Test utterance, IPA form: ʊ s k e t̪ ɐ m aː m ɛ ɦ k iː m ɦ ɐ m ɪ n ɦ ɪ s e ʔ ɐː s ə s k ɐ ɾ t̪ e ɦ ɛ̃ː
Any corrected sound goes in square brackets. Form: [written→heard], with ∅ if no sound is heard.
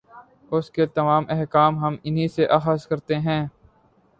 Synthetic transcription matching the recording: ʊ s k e t̪ ɐ m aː m ɛ ɦ k [iː→aː] m ɦ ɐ m ɪ n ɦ [ɪ→i] s e ʔ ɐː [s→x] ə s k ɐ ɾ t̪ e ɦ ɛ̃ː

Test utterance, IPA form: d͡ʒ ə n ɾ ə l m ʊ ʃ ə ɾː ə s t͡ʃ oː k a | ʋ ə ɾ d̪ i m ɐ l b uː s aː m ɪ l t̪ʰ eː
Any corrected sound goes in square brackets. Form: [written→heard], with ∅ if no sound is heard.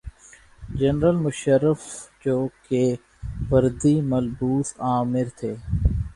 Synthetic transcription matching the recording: d͡ʒ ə n ɾ ə l m ʊ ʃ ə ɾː ə [s→f] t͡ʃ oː k [a→e] | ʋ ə ɾ d̪ i m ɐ l b uː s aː m ɪ [l→ɾ] t̪ʰ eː

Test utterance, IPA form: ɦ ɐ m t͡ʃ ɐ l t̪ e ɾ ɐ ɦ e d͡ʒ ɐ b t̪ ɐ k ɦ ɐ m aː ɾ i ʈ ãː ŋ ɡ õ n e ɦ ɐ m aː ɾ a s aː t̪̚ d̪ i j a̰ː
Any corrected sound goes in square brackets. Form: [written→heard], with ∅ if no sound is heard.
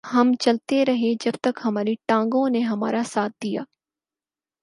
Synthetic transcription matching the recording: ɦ ɐ m t͡ʃ ɐ l t̪ e ɾ ɐ ɦ e d͡ʒ ɐ b t̪ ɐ k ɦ ɐ m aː ɾ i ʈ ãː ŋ ɡ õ n e ɦ ɐ m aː ɾ a s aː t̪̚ d̪ i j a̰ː

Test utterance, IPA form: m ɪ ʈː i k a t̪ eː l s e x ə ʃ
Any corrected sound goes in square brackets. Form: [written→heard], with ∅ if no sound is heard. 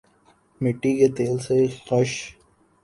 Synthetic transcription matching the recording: m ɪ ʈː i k [a→e] t̪ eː l s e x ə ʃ

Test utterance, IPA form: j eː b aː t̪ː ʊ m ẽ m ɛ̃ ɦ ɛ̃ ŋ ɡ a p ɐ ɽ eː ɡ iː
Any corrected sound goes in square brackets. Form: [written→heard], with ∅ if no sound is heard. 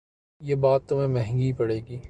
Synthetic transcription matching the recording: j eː b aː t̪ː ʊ m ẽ m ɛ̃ ɦ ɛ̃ ŋ ɡ [a→i] p ɐ ɽ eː ɡ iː

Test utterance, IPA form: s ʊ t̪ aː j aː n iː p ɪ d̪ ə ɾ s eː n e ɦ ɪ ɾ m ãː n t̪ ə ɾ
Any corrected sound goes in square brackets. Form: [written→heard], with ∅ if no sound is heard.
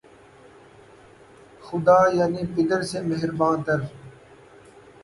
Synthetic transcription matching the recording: [s→x] ʊ [t̪→d̪] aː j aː n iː p ɪ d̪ ə ɾ s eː [n→m] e ɦ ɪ ɾ [m→b] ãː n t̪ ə ɾ

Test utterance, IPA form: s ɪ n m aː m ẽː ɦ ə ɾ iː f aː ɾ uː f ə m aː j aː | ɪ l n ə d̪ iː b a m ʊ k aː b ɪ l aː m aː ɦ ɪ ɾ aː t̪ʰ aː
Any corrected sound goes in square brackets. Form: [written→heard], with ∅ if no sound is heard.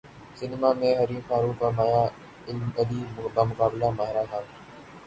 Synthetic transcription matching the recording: s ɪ n m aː m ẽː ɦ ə ɾ iː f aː ɾ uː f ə m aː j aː | ɪ l [n→m] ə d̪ iː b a m ʊ k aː b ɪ l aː m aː ɦ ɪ ɾ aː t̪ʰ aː

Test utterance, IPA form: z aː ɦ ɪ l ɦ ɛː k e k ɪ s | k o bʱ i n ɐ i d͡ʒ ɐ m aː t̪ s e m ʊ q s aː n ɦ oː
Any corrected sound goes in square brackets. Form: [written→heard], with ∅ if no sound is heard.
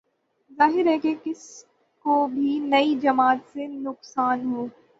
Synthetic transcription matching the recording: z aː ɦ ɪ [l→ɾ] ɦ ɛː k e k ɪ s | k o bʱ i n ɐ i d͡ʒ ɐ m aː t̪ s e [m→n] ʊ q s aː n ɦ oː

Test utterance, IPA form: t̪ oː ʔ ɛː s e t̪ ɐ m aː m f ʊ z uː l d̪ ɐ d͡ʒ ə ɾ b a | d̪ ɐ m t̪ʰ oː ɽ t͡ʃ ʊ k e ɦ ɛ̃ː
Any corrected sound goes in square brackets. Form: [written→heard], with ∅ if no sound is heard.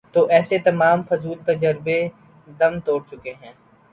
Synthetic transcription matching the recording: t̪ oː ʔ ɛː s e t̪ ɐ m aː m f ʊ z uː l [d̪→t̪] ɐ d͡ʒ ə ɾ b [a→e] | d̪ ɐ m [t̪ʰ→t̪] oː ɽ t͡ʃ ʊ k e ɦ ɛ̃ː

